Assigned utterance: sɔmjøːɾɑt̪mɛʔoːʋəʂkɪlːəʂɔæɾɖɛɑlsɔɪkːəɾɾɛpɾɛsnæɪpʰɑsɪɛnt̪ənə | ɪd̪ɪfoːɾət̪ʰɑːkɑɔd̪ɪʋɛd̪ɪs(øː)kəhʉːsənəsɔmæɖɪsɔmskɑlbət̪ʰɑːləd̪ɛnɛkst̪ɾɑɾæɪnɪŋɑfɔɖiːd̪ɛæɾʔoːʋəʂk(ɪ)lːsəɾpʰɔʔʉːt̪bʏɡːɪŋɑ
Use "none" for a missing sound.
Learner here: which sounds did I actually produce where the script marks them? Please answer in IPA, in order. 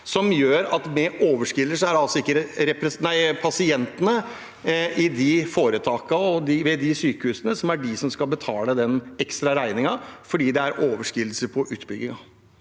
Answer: yː, ɪ

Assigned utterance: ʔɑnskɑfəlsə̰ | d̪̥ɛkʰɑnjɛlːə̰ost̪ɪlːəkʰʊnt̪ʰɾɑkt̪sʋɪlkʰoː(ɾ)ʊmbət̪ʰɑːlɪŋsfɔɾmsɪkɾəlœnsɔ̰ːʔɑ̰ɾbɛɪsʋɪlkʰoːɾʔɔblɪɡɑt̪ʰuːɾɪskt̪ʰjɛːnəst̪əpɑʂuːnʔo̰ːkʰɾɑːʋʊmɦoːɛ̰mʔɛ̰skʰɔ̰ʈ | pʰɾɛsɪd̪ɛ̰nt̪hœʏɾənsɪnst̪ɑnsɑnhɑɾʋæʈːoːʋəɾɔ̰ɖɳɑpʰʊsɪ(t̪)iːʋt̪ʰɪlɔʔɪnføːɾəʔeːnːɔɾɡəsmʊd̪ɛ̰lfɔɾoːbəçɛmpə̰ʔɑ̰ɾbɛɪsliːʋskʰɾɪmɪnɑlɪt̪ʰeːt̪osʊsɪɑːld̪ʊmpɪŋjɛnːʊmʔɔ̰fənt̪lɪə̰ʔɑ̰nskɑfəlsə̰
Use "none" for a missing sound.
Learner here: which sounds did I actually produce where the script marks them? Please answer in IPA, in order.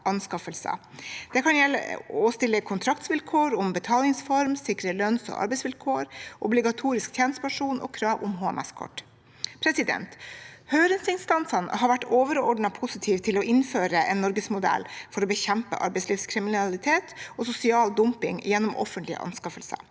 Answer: ɾ, t̪ʰ

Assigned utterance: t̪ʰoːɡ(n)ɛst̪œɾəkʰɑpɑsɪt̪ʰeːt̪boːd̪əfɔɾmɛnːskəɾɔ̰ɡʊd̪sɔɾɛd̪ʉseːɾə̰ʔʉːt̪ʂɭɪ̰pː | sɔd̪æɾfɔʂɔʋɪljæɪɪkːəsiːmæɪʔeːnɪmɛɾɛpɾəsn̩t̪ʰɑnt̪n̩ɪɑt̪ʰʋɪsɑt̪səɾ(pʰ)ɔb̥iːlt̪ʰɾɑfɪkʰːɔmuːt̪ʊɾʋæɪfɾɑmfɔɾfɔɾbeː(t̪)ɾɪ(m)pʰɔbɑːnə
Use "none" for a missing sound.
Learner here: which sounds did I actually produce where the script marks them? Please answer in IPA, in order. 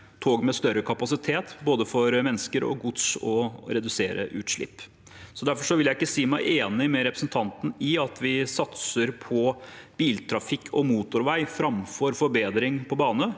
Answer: m, pʰ, d̪, ŋ

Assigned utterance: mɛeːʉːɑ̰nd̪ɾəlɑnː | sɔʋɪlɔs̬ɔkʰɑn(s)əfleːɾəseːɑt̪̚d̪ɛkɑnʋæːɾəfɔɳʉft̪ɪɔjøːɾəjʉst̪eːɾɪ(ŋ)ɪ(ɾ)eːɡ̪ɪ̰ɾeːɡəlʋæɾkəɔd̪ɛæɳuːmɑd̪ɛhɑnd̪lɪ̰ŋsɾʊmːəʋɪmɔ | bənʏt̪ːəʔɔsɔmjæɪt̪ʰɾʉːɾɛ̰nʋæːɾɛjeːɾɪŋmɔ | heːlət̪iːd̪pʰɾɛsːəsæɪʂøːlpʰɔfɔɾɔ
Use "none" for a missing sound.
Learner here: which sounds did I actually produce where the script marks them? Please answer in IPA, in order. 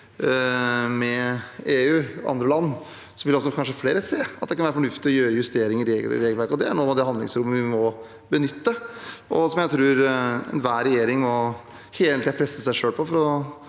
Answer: ʂ, ŋ, ɾ

